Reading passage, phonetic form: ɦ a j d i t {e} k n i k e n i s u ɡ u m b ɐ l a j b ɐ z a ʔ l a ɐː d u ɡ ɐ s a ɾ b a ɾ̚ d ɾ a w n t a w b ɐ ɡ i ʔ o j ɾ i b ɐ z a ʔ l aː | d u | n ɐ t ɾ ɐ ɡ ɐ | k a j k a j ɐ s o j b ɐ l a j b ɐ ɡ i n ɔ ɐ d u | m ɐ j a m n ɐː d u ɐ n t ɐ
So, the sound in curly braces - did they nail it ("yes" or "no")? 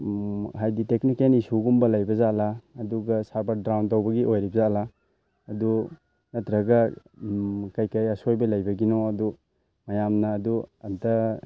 yes